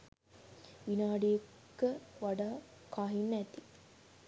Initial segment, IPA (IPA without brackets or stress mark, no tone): ʋ